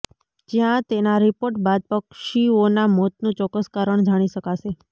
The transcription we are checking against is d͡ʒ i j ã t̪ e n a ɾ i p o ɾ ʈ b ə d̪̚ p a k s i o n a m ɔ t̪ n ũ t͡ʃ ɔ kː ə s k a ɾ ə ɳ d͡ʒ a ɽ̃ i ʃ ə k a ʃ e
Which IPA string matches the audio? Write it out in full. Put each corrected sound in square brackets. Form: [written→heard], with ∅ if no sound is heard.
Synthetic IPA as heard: d͡ʒ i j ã t̪ e n a ɾ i p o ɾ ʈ b [ə→a] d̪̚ p [a→ə] k [s→ʃ] i o n a m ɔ t̪ n ũ t͡ʃ ɔ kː ə s k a ɾ ə ɳ d͡ʒ a ɽ̃ i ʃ ə k a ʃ e

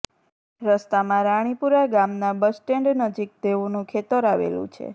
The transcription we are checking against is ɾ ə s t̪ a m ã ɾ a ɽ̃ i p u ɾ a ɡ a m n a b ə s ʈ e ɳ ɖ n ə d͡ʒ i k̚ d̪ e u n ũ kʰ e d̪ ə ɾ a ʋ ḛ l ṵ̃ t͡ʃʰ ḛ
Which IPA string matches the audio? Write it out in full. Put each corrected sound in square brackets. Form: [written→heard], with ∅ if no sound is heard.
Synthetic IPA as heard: ɾ ə s t̪ a m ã ɾ a ɽ̃ i p u ɾ a ɡ a m n a b ə s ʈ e ɳ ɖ n ə d͡ʒ i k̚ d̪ e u n ũ kʰ e [d̪→t̪] ə ɾ a ʋ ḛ l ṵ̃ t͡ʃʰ ḛ

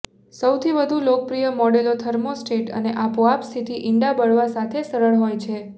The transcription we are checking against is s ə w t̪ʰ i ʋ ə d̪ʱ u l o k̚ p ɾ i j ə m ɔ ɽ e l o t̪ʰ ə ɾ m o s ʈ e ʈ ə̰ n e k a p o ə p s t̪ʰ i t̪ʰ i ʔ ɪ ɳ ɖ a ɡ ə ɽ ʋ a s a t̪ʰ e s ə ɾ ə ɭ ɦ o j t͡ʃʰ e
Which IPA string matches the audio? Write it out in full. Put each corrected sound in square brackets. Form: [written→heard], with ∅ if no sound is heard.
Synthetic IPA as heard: s ə w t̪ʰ i ʋ ə d̪ʱ u l o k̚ p ɾ i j ə m ɔ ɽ e l o t̪ʰ ə ɾ m o s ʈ e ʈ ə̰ n e [k→ʔ] a p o [ə→a] p s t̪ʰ i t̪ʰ i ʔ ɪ ɳ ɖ a [ɡ→b] ə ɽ ʋ a s a t̪ʰ e s ə ɾ ə ɭ ɦ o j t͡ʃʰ e

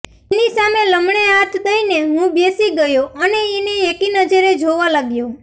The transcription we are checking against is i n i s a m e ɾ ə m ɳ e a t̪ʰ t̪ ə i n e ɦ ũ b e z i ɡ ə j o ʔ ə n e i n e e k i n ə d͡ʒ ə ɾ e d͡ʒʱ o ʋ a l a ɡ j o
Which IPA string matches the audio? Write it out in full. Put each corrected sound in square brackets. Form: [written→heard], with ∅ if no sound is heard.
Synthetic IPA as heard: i n i s a m e [ɾ→l] ə m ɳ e a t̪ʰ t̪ ə i n e ɦ ũ b e [z→s] i ɡ ə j o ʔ ə n e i n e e k i n ə d͡ʒ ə ɾ e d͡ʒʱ o ʋ a l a ɡ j o

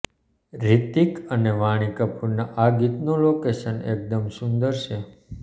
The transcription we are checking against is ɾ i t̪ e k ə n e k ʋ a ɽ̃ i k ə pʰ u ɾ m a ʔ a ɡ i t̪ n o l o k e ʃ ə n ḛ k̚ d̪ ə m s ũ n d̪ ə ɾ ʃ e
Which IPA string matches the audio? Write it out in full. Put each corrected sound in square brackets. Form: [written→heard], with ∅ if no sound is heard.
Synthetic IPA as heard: ɾ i t̪ [e→i] k ə n e [k→∅] ʋ a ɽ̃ i k ə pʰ u ɾ [m→n] a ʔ a ɡ i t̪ n o l o k e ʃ ə n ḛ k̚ d̪ ə m s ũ n d̪ ə ɾ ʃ e

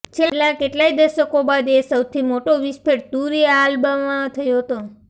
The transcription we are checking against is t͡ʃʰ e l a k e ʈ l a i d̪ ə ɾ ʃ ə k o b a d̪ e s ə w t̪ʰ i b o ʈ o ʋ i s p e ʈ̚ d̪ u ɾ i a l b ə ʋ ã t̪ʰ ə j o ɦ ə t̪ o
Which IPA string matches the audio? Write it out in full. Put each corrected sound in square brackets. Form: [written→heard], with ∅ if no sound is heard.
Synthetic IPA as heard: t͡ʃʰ e l a k e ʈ l a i d̪ ə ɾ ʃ ə k o b a d̪ e s ə w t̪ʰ i [b→m] o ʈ o ʋ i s p e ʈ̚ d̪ u ɾ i a l b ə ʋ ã t̪ʰ ə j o ɦ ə t̪ o

